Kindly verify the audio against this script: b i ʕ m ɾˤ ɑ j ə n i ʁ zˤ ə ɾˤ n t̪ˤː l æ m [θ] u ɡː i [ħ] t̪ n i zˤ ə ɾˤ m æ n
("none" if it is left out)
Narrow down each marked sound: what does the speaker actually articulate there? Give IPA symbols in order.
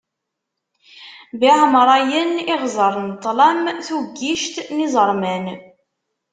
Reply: θ, ʃ

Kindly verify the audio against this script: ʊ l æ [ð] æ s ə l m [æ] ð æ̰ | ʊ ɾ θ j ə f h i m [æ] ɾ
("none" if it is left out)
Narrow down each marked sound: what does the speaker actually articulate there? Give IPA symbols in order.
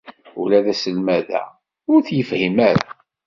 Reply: ð, æ, æ

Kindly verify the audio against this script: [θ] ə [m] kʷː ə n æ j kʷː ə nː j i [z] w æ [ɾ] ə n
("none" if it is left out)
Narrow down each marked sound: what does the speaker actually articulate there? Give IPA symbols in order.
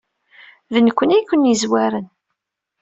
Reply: ð, n, z, ɾ

